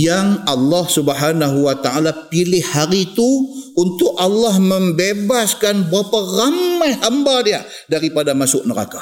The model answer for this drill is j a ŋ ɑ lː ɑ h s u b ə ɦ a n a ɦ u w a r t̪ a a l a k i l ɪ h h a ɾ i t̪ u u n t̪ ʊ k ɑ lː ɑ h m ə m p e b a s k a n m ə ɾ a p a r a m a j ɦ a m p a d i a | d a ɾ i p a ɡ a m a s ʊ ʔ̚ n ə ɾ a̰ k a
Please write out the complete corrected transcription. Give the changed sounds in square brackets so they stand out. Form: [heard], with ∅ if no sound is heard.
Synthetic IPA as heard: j a ŋ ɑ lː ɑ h s u b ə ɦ a n a ɦ u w a [∅] t̪ a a l a [p] i l ɪ h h a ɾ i t̪ u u n t̪ ʊ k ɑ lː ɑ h m ə m [b] e b a s k a n [b] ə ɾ a p a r a m a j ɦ a m [b] a d i a | d a ɾ i p a [d] a m a s ʊ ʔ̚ n ə ɾ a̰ k a